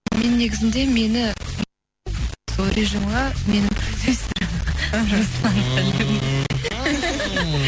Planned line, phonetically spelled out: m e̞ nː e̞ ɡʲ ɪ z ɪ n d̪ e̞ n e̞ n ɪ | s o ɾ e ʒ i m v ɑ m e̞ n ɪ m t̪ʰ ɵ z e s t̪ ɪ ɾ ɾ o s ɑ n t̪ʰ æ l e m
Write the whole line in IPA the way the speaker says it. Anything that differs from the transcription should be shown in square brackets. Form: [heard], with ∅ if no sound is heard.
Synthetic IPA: m e̞ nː e̞ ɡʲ ɪ z ɪ n d̪ e̞ [m] e̞ n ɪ | s o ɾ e ʒ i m [ʁ] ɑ m e̞ n ɪ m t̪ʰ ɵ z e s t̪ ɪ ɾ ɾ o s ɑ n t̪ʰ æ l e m